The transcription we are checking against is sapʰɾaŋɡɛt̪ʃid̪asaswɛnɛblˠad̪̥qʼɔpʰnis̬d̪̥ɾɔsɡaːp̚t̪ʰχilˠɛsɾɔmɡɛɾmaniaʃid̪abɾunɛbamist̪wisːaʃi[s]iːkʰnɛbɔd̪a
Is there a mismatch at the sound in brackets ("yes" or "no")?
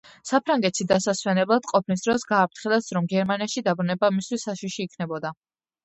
yes